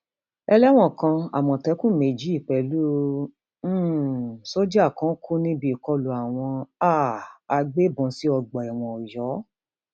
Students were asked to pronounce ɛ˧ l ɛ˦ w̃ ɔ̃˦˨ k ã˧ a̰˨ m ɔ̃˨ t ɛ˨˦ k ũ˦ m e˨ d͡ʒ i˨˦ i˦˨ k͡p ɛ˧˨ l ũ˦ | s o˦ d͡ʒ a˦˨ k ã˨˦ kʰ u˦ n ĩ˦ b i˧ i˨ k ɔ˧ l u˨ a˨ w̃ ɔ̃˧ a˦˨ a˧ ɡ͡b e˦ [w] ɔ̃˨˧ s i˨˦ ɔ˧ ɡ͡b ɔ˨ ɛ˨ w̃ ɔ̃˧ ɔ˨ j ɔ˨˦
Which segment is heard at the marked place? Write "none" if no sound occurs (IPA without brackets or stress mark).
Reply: b